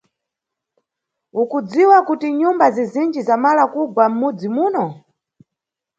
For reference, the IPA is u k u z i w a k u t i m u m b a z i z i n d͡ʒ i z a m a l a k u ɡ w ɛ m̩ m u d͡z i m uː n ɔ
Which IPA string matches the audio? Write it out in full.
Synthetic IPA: u k u d͡z i w a k u t i ɲ u m b a z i z i n d͡ʒ i z a m a l a k u ɡ w a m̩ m u d͡z i m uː n ɔ